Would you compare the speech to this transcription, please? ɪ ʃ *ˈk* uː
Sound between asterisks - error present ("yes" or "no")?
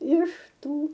yes